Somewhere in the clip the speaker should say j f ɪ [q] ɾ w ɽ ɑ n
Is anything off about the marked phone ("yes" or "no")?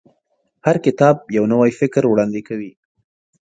yes